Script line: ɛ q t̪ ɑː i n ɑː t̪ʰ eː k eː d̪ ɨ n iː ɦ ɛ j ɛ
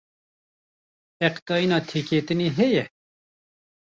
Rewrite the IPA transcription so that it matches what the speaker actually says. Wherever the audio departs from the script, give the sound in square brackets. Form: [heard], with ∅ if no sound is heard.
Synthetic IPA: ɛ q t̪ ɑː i n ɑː t̪ʰ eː k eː [t̪] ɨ n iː ɦ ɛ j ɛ